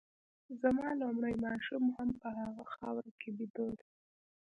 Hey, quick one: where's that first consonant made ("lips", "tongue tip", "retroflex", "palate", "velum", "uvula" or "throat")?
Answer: tongue tip